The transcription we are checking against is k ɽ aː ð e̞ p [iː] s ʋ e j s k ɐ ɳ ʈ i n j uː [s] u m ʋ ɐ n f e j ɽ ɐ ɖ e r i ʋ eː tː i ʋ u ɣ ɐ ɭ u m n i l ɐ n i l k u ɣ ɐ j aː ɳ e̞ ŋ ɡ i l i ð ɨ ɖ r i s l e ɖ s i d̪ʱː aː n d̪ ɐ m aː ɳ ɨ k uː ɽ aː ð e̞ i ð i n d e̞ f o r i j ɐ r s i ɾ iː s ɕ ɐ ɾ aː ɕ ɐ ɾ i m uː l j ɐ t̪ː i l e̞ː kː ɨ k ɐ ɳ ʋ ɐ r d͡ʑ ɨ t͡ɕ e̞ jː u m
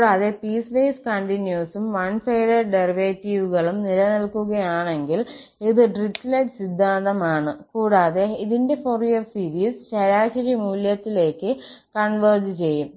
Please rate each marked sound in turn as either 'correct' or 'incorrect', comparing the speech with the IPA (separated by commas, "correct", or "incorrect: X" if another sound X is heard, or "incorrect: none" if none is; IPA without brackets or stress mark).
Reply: correct, correct